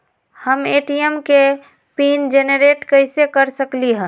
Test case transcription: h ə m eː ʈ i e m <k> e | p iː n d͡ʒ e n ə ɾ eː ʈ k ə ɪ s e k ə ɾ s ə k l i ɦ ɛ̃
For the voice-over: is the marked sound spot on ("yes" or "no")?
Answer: yes